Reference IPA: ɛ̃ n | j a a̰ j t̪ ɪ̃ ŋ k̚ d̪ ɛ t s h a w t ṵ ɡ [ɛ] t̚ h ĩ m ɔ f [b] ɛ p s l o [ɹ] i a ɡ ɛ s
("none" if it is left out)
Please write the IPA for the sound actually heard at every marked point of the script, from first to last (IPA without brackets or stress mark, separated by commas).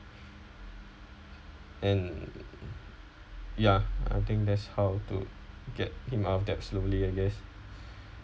ɛ, d, l